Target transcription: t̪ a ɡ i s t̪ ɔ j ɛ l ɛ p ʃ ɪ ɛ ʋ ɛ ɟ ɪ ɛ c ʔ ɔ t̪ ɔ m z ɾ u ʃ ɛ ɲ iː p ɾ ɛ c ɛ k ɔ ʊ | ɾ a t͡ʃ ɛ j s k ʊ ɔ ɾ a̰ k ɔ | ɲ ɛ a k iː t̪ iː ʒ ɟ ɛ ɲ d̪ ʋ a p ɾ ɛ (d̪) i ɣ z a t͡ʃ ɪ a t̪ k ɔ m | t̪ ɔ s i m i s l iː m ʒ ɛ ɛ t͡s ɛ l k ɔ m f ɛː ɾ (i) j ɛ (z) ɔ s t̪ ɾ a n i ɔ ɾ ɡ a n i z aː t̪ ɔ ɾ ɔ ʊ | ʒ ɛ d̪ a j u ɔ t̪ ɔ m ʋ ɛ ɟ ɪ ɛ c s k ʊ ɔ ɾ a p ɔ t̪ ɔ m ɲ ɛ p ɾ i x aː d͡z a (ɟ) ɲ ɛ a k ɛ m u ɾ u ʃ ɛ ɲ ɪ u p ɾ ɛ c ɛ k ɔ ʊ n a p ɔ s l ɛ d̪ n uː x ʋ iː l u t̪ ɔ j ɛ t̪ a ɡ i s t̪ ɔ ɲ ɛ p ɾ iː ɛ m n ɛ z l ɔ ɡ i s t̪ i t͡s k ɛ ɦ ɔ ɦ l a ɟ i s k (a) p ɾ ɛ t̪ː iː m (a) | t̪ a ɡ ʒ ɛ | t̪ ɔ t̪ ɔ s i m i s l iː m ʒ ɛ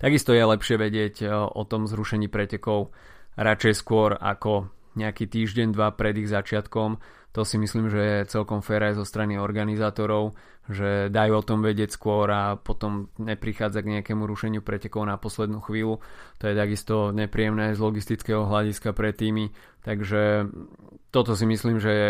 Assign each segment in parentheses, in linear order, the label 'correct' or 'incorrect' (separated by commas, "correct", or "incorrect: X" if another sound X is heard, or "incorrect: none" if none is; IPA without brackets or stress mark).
correct, incorrect: a, correct, incorrect: ɡ, correct, incorrect: i